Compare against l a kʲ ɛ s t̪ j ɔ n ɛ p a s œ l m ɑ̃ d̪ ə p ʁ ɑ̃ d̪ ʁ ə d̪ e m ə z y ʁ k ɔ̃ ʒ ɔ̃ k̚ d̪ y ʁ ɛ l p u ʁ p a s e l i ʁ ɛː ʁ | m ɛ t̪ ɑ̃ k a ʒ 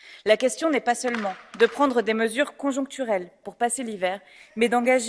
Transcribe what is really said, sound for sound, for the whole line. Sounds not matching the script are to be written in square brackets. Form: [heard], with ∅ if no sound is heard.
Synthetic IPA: l a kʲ ɛ s t̪ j [ɔ̃] n ɛ p a s œ l m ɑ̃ d̪ ə p [χ] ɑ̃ d̪ ʁ ə d̪ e m ə z y ʁ k ɔ̃ ʒ ɔ̃ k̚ [t̪] y ʁ ɛ l p u ʁ p a s e l i [v] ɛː ʁ | m ɛ [d̪] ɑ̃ [ɡ] a ʒ